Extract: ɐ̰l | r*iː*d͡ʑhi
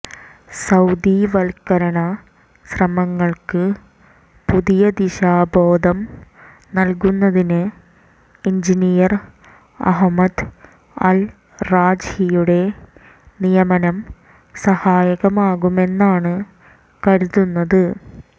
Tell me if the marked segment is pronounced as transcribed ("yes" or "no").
no